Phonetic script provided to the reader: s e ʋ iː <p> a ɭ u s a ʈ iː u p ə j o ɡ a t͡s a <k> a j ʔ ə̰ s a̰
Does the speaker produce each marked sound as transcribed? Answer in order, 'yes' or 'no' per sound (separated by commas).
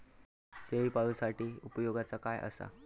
yes, yes